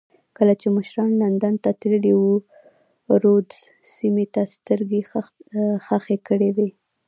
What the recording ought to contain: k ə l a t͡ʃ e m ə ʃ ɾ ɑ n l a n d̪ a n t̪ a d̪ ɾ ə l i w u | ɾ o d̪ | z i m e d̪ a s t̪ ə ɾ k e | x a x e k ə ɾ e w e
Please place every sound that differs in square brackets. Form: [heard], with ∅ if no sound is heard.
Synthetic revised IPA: k ə l a t͡ʃ e m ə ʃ ɾ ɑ n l a n d̪ a n t̪ a [t̪] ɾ ə l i w u | ɾ o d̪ | [s] i m e [t̪] a s t̪ ə ɾ [ɡ] e | x a x e k ə [ɽ] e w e

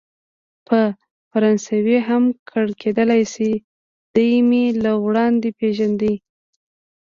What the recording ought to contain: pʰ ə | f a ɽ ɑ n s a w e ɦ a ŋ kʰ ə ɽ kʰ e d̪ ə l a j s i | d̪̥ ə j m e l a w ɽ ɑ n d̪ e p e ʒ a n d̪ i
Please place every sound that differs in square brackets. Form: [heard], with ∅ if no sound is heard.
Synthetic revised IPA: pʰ ə | f a [ɾ] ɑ n s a w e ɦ a [m] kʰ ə ɽ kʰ e d̪ ə l a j s i | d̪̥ ə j m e l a w ɽ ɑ n d̪ e p e ʒ a n d̪ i

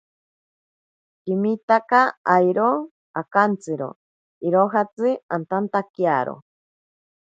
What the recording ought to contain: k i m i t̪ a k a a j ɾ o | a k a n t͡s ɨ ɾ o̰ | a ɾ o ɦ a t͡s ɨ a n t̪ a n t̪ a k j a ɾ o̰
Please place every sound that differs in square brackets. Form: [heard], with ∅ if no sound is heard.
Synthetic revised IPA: k i m i t̪ a k a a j ɾ o | a k a n t͡s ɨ ɾ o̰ | [i] ɾ o ɦ a t͡s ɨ a n t̪ a n t̪ a k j a ɾ o̰

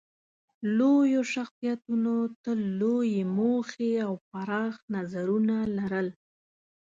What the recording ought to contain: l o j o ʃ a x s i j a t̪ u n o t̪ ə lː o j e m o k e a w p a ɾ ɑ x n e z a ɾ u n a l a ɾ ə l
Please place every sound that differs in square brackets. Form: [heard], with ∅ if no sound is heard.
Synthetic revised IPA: l o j o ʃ a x s i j a t̪ u n o t̪ ə lː o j e m o [x] e a w p a ɾ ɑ x n [a] z a ɾ u n a l a ɾ ə l

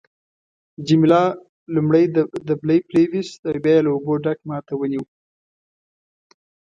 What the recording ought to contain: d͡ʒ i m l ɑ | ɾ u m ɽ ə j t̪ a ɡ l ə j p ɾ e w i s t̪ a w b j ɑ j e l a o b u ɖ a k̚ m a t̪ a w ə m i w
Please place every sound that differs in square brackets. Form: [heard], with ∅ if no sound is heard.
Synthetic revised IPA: d͡ʒ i m l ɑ | [l] u m ɽ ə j [d̪] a [b] l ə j p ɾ e w i s t̪ a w b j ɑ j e l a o b [o] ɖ a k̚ m [ɑ] t̪ a w ə [n] i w

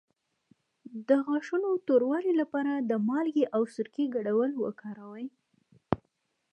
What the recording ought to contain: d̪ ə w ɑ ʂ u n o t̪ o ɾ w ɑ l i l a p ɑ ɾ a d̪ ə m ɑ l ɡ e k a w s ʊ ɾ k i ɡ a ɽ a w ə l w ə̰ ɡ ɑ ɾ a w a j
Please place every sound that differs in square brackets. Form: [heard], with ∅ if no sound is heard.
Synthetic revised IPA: d̪ ə [ɣ] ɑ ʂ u n o t̪ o ɾ w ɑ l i l a p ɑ ɾ a d̪ ə m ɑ l ɡ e [ʔ] a w s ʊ ɾ k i ɡ a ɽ a w ə l w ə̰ [k] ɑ ɾ a w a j

